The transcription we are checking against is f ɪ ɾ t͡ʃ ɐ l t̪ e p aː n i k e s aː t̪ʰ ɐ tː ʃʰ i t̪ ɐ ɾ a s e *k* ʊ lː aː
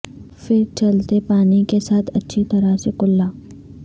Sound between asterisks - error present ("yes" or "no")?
no